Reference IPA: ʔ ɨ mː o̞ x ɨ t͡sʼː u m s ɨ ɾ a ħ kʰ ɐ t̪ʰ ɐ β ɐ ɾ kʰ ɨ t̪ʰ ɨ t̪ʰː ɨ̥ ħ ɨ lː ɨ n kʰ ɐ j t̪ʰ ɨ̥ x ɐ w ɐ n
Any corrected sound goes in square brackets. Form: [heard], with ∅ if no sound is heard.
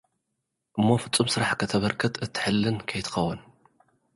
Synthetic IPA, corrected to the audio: ʔ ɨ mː o̞ [f] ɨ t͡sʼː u m s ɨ ɾ a ħ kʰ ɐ t̪ʰ ɐ β ɐ ɾ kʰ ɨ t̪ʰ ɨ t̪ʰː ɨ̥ ħ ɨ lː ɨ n kʰ ɐ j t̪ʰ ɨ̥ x ɐ w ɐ n